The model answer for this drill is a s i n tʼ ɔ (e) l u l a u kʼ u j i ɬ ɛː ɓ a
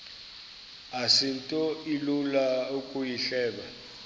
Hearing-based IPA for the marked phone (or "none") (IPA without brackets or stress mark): i